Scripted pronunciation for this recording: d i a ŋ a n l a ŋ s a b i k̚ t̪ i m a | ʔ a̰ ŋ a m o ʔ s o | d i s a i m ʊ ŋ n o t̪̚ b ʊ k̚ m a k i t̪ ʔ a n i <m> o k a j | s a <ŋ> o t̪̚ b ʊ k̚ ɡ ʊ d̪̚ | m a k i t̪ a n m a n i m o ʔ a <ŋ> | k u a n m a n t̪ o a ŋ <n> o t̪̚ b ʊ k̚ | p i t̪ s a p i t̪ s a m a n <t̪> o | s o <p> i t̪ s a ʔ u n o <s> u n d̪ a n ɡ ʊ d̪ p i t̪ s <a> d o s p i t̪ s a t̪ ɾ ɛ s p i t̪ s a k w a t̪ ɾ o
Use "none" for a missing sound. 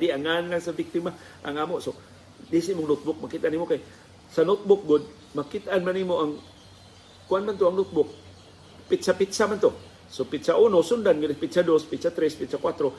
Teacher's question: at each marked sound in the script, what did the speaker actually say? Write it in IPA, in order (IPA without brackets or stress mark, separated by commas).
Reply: m, n, ŋ, n, t̪, p, s, a